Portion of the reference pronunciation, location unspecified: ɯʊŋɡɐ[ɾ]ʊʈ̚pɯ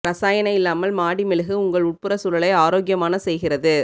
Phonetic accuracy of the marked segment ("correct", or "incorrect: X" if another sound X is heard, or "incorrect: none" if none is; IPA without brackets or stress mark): incorrect: ɭ